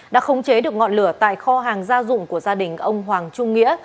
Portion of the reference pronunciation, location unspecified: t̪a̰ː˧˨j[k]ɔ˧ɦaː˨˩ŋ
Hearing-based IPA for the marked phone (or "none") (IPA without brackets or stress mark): x